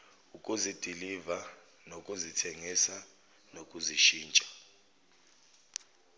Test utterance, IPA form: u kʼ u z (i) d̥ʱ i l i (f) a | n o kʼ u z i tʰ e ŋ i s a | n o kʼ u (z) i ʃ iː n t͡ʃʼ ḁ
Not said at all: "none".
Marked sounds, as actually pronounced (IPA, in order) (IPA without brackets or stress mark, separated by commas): i, v, z